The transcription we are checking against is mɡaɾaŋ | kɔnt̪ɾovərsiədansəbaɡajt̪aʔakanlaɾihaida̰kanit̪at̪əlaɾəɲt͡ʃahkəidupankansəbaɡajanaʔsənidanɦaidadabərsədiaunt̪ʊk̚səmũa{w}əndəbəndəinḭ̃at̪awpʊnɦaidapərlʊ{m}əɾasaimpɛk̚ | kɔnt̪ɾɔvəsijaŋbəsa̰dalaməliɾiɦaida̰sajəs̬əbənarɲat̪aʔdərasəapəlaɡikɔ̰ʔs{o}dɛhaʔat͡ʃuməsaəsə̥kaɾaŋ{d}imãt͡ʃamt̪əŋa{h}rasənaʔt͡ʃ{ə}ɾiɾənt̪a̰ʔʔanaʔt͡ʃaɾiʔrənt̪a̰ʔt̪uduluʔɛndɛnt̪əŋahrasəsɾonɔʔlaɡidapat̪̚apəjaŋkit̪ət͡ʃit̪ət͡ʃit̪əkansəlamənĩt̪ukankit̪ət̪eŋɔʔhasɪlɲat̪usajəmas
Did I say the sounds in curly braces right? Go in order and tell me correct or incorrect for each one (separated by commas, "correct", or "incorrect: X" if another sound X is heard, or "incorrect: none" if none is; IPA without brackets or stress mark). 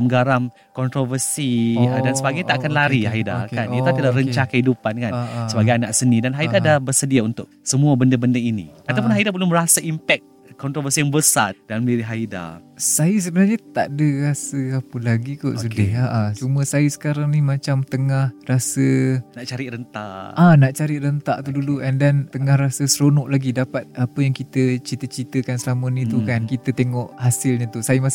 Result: incorrect: b, correct, incorrect: u, incorrect: n, correct, incorrect: a